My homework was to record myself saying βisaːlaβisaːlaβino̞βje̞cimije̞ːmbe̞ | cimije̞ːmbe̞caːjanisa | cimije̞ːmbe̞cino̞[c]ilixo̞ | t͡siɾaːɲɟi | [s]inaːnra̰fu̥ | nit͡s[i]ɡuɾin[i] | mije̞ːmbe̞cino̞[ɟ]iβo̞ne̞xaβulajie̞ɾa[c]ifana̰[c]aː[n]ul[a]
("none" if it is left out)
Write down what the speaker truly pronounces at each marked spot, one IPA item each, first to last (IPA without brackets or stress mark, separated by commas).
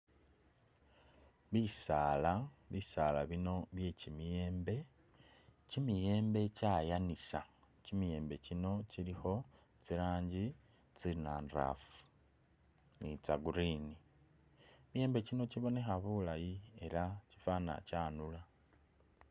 c, t͡s, a, i, c, c, c, n, a